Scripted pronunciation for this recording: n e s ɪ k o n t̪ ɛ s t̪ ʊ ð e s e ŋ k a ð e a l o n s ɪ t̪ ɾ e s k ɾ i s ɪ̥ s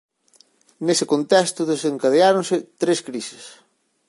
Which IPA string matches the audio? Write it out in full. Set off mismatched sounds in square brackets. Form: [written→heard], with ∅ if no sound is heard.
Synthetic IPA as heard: n e s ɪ k o n t̪ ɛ s t̪ ʊ ð e s e ŋ k a ð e a [l→ɾ] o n s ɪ t̪ ɾ e s k ɾ i s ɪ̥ s